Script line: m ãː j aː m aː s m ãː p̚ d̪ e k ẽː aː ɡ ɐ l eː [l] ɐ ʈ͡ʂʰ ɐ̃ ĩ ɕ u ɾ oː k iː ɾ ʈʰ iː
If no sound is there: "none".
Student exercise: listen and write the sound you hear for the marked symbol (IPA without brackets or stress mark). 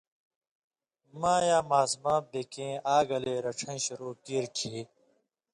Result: ɾ